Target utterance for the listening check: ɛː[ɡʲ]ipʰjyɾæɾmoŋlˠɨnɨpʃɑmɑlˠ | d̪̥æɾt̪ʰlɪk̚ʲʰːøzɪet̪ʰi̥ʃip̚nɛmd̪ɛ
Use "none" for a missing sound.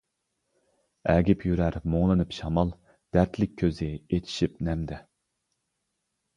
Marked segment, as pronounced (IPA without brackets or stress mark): ɡʲ